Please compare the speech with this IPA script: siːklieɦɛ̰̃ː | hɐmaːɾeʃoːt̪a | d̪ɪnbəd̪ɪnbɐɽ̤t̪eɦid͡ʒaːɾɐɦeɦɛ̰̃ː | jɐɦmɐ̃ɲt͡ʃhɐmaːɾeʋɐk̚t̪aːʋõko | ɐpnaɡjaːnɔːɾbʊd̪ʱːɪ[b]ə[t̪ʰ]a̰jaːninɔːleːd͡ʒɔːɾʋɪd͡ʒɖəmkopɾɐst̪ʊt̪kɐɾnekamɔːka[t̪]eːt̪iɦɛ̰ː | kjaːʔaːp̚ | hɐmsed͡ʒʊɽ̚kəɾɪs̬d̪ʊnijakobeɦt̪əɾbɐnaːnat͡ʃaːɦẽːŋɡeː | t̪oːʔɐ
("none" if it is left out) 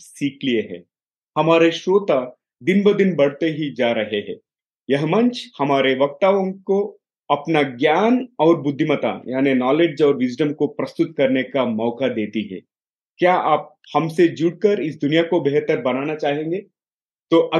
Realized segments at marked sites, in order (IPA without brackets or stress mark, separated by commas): m, t̪, d̪